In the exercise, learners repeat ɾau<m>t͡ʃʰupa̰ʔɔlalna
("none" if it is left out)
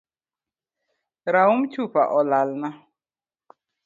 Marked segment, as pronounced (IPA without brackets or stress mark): m